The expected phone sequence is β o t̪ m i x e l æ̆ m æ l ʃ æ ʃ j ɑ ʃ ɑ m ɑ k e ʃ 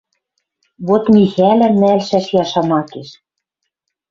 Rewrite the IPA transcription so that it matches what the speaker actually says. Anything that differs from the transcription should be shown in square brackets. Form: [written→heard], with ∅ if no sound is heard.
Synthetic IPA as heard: β o t̪ m i x [e→æ] l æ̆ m æ l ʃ æ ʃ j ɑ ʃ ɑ m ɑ k e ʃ